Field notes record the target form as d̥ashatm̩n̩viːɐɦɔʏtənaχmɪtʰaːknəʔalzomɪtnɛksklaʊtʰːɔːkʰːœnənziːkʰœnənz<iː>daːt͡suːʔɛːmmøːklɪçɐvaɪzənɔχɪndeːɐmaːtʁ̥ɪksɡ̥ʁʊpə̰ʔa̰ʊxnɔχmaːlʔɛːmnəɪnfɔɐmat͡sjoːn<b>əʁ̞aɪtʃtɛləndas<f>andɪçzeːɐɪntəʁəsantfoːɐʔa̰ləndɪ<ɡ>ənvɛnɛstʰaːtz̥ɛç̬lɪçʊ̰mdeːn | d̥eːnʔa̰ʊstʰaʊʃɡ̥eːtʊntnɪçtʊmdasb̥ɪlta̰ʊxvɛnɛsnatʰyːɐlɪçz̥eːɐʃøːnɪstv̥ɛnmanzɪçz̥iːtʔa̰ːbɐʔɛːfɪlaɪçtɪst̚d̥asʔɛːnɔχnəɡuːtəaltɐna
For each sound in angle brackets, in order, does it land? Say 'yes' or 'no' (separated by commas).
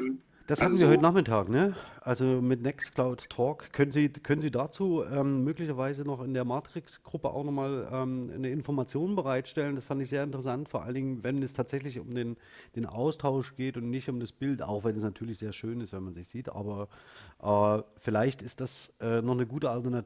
yes, yes, yes, no